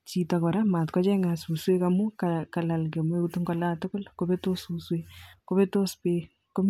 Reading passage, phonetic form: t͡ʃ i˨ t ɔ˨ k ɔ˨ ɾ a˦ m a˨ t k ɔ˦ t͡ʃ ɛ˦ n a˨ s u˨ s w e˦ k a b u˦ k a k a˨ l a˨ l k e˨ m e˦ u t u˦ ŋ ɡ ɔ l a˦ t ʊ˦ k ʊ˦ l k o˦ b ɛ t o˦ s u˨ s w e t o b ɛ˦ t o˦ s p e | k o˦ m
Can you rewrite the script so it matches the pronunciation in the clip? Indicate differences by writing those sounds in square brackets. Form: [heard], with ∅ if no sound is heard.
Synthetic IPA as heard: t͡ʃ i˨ t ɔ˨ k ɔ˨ ɾ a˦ m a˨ t k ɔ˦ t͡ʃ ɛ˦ [ŋ] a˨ s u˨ s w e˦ k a [m] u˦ k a k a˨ l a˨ l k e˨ m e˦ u t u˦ ŋ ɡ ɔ l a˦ t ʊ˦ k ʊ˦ l k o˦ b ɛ t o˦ s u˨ s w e [k] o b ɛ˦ t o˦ s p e | k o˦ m